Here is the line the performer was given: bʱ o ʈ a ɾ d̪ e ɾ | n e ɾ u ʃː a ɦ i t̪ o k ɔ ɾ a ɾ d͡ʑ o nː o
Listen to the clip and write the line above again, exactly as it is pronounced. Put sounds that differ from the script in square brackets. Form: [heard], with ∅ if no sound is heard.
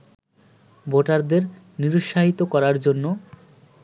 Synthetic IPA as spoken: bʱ o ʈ a ɾ d̪ e ɾ | n [i] ɾ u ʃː a ɦ i t̪ o k ɔ ɾ a ɾ d͡ʑ o nː o